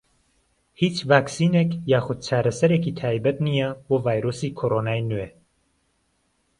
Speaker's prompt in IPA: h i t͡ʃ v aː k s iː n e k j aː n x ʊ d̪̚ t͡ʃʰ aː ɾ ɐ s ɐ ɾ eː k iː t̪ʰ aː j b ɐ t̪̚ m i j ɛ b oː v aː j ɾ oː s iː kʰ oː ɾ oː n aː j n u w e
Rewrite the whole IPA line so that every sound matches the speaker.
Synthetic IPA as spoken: h i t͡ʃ v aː k s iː n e k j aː x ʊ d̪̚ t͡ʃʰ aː ɾ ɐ s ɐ ɾ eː k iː t̪ʰ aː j b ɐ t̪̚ n i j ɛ b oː v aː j ɾ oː s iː kʰ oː ɾ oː n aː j n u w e